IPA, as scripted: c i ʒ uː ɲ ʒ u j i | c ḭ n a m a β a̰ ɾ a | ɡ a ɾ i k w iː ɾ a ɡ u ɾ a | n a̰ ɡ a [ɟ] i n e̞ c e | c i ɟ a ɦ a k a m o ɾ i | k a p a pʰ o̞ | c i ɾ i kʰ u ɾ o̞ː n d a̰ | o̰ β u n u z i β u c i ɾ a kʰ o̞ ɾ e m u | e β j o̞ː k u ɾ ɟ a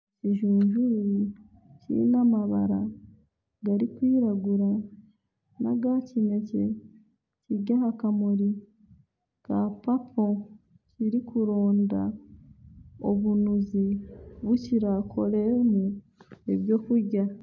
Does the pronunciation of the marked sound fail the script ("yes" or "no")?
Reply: yes